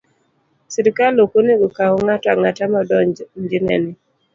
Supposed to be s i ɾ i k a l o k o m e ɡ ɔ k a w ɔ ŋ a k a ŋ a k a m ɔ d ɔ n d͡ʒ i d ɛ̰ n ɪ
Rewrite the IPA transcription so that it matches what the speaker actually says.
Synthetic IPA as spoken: s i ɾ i k a l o k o n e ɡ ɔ k a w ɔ ŋ a t a ŋ a t a m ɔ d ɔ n d͡ʒ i n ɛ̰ n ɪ